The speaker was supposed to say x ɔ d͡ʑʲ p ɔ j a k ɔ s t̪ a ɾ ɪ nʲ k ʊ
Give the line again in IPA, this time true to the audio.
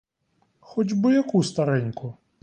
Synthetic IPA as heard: x ɔ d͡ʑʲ b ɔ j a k u s t̪ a ɾ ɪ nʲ k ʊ